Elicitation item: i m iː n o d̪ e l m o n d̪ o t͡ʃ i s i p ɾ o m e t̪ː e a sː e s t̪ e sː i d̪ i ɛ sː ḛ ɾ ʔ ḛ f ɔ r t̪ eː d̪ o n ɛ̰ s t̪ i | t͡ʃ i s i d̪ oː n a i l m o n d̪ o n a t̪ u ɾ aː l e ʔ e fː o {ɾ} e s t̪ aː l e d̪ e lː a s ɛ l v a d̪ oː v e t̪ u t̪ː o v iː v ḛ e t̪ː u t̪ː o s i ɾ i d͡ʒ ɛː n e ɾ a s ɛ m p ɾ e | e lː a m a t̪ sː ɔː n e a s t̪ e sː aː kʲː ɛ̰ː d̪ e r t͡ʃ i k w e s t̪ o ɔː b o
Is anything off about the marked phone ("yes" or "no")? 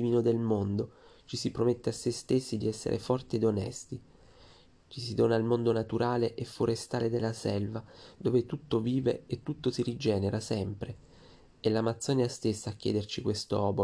no